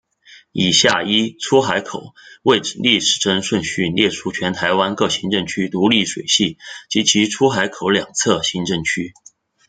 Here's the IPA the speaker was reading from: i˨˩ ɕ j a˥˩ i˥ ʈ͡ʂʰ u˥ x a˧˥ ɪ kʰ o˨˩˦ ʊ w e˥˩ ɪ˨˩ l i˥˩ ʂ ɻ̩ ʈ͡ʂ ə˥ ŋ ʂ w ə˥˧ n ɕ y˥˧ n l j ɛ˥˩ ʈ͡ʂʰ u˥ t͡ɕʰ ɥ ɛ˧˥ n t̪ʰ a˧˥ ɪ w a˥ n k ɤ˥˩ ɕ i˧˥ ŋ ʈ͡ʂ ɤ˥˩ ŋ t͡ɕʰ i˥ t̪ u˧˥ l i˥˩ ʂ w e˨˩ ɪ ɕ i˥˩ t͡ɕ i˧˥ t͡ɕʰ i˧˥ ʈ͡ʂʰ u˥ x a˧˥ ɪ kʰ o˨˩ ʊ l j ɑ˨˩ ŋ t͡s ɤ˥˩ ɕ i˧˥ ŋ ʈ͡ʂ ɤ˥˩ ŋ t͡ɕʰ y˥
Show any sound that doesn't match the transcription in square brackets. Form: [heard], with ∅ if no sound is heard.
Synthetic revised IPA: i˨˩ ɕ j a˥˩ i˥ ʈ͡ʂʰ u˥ x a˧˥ ɪ kʰ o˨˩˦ ʊ w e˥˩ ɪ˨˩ l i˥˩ ʂ ɻ̩ ʈ͡ʂ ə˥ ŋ ʂ w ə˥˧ n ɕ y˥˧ n l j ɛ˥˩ ʈ͡ʂʰ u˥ t͡ɕʰ ɥ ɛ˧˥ n t̪ʰ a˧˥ ɪ w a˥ n k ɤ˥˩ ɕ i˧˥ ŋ ʈ͡ʂ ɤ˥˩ ŋ t͡ɕʰ [y˥] t̪ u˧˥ l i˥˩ ʂ w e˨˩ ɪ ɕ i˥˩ t͡ɕ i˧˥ t͡ɕʰ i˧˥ ʈ͡ʂʰ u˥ x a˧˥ ɪ kʰ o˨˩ ʊ l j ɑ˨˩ ŋ [t͡sʰ] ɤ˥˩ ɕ i˧˥ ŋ ʈ͡ʂ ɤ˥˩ ŋ t͡ɕʰ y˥